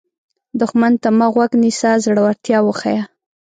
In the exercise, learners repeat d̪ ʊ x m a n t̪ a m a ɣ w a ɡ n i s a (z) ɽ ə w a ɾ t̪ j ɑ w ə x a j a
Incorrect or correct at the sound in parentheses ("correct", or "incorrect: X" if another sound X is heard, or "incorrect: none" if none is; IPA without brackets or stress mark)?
correct